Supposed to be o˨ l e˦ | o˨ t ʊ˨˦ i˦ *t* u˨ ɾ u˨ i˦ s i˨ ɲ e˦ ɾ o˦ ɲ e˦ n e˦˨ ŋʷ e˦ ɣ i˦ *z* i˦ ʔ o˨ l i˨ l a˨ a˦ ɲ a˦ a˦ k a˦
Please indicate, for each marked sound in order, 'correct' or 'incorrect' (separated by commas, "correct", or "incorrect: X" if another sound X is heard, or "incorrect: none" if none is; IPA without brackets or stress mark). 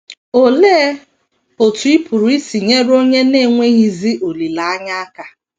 incorrect: p, correct